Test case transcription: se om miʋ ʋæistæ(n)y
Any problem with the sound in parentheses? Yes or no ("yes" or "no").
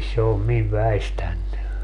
yes